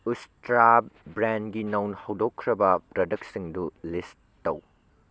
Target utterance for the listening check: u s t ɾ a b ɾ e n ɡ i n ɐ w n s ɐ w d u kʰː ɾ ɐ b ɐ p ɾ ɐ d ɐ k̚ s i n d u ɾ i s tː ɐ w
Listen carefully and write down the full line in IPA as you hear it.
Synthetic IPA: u s t ɾ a b ɾ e n ɡ i n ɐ w n h ɐ w d o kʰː ɾ ɐ b ɐ p ɾ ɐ d ɐ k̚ s i ŋ d u l i s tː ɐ w